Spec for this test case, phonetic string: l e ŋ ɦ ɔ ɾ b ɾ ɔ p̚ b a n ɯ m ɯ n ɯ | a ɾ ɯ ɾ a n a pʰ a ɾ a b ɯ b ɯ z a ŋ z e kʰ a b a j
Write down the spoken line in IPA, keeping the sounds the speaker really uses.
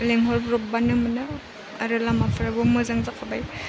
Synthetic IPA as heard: l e ŋ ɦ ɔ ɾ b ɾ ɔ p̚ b a n ɯ m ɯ n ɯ | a ɾ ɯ l a m a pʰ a ɾ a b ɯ m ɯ z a ŋ z a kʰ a b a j